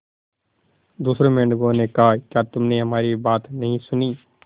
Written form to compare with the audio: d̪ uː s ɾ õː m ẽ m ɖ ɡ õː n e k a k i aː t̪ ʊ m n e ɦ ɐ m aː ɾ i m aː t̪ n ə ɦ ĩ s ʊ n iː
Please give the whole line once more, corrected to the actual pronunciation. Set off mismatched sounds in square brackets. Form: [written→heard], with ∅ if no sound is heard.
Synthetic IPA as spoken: d̪ uː s ɾ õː m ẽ [m→ɳ] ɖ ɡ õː n e k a k [i→j] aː t̪ ʊ m n e ɦ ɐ m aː ɾ i [m→b] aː t̪ n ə ɦ ĩ s ʊ n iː